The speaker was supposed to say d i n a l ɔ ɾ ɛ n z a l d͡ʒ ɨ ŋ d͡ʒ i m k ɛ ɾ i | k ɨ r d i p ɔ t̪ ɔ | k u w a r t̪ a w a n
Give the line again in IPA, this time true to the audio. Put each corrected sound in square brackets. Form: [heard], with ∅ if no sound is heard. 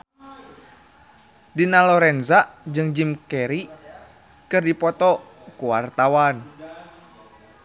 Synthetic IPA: d i n a l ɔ ɾ ɛ n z a [∅] d͡ʒ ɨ ŋ d͡ʒ i m k ɛ ɾ i | k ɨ r d i p ɔ t̪ ɔ | k u w a r t̪ a w a n